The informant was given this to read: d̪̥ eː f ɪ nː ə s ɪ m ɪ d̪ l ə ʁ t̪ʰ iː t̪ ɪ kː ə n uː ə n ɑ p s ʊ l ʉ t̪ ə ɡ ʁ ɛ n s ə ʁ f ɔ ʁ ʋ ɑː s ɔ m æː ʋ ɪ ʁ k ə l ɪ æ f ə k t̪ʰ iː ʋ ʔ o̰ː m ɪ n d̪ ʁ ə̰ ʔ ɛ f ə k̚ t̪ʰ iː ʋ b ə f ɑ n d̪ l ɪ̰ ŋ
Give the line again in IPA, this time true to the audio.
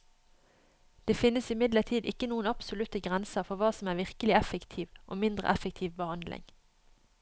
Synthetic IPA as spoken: d̪̥ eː f ɪ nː ə s ɪ m ɪ d̪ l ə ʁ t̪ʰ iː d̪ ɪ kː ə n uː ə n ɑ p s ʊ l ʉ t̪ ə ɡ ʁ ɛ n s ə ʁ f ɔ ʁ ʋ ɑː s ɔ m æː ʋ ɪ ʁ k ə l ɪ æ f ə k t̪ʰ iː ʋ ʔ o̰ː m ɪ n d̪ ʁ ə̰ ʔ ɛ f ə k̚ t̪ʰ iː ʋ b ə h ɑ n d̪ l ɪ̰ ŋ